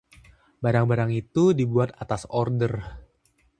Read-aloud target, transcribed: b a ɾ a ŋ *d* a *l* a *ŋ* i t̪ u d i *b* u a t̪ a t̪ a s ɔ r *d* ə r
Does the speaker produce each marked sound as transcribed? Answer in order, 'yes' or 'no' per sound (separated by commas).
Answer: no, no, yes, yes, yes